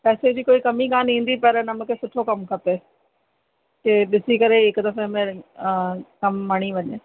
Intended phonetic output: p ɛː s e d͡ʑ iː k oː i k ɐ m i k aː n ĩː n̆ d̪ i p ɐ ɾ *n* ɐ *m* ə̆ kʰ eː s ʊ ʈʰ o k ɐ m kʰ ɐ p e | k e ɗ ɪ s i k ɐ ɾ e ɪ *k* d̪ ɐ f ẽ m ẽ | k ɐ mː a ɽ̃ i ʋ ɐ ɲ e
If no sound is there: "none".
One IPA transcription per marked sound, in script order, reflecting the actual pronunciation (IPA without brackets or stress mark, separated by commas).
n, m, k